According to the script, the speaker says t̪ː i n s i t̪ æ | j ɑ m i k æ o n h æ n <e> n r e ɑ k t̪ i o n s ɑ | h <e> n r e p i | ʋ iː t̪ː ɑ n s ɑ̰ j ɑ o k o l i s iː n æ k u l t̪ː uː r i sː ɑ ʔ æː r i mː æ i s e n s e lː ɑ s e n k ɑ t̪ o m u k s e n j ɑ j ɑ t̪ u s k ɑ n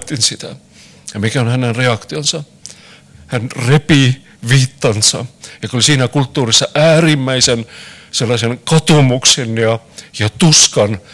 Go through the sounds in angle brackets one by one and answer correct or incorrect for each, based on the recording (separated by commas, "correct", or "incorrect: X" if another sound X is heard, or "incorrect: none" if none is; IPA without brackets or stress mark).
correct, incorrect: æ